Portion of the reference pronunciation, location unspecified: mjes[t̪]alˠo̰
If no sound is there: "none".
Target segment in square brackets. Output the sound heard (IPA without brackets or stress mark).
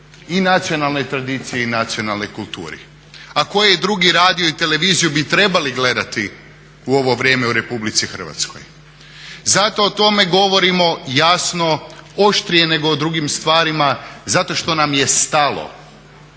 t̪